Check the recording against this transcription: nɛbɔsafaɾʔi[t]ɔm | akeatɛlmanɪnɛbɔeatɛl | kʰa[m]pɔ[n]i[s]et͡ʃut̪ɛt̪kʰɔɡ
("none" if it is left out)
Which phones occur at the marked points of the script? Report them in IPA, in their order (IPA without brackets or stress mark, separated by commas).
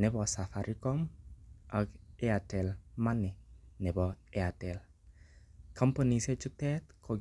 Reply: k, m, n, s